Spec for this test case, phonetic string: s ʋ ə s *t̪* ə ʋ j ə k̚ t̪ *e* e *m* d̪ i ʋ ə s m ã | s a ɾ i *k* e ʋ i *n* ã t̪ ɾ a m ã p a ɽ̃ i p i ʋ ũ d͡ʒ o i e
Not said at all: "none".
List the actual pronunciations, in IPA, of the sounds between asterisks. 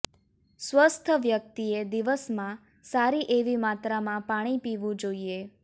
t̪ʰ, i, none, ʔ, m

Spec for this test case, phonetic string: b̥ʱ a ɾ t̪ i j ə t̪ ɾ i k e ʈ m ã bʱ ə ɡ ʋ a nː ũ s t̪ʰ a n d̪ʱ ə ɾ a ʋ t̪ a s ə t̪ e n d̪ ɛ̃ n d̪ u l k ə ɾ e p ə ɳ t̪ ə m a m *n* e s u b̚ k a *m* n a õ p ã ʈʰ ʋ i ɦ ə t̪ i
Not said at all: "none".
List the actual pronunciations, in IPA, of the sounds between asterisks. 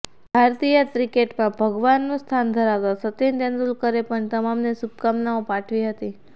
n, m

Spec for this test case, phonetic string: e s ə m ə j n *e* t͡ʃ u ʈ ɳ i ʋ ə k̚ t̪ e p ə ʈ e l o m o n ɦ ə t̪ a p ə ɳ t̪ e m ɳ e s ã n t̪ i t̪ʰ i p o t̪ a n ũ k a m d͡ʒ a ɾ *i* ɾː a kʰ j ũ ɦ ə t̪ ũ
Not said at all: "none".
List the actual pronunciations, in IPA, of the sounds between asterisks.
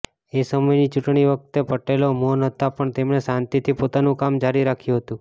i, i

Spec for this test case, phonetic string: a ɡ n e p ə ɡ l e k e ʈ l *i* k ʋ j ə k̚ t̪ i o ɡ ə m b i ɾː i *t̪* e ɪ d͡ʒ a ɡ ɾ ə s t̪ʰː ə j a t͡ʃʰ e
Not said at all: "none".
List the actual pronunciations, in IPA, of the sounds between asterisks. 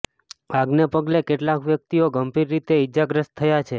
a, t̪

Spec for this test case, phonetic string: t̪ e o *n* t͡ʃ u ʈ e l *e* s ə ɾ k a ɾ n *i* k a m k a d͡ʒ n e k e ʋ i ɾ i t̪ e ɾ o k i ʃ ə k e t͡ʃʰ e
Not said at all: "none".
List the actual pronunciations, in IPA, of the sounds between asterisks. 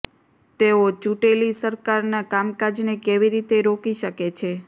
none, i, a

